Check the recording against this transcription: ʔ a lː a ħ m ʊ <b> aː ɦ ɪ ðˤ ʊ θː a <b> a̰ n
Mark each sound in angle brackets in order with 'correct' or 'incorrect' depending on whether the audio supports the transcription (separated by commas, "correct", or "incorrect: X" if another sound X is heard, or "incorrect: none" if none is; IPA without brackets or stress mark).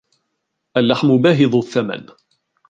correct, incorrect: m